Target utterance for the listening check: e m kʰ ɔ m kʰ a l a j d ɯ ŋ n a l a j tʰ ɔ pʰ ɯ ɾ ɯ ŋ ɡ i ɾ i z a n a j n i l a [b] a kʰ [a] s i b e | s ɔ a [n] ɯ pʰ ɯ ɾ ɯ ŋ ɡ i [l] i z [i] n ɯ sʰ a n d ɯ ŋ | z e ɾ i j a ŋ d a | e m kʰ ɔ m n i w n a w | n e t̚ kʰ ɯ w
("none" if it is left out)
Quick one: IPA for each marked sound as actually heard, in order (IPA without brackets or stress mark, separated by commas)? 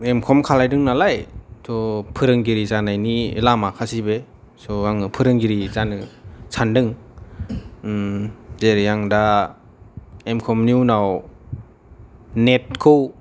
m, a, ŋ, ɾ, a